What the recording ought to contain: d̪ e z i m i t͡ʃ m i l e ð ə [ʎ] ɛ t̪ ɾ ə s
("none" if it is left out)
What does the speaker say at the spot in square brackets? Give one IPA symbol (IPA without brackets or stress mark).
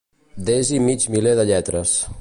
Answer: ʎ